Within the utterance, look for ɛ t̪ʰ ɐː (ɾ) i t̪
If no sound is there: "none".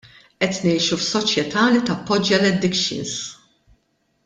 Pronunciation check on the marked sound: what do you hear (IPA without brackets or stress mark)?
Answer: l